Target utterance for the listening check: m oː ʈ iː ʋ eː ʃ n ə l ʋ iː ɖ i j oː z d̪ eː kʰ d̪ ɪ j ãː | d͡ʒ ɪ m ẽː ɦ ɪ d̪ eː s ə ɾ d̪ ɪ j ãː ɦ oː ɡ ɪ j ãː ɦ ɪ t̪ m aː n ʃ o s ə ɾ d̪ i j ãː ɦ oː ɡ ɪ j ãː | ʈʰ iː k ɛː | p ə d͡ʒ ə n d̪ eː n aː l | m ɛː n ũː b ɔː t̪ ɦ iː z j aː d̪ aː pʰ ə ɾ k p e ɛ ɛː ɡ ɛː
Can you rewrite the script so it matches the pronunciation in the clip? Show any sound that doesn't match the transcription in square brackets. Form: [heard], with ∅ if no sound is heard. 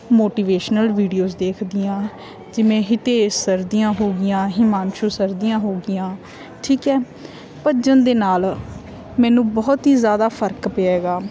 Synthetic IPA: m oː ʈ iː ʋ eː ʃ n ə l ʋ iː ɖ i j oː z d̪ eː kʰ d̪ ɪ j ãː | d͡ʒ ɪ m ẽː ɦ ɪ [t̪] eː s ə ɾ d̪ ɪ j ãː ɦ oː ɡ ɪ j ãː ɦ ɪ [∅] m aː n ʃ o s ə ɾ d̪ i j ãː ɦ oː ɡ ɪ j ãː | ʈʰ iː k ɛː | p ə d͡ʒ ə n d̪ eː n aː l | m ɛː n ũː b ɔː t̪ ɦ iː z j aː d̪ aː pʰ ə ɾ k p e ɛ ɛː ɡ [aː]